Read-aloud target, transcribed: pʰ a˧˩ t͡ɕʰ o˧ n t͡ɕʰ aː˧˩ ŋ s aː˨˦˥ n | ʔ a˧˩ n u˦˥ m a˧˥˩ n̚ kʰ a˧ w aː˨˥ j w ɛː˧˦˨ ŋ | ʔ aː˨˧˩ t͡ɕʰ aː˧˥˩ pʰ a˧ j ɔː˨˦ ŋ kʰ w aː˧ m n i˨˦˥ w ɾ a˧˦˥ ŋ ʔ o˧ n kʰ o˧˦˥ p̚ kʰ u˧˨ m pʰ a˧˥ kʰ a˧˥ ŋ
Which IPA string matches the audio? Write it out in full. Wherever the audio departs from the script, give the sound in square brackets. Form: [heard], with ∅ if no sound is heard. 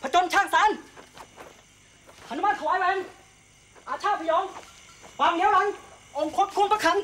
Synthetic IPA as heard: pʰ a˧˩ [t͡ɕ] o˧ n t͡ɕʰ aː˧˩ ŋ s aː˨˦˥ n | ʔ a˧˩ n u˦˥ m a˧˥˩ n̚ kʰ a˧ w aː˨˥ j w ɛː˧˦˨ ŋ | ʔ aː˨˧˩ t͡ɕʰ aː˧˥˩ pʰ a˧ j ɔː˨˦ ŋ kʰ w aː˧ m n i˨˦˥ w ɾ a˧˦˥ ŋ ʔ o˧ [ŋ] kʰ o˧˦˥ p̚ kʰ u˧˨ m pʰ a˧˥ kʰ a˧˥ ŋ